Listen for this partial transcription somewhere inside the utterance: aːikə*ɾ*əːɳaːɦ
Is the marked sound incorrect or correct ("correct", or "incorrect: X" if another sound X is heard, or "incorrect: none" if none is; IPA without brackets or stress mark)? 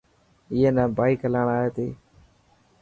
incorrect: l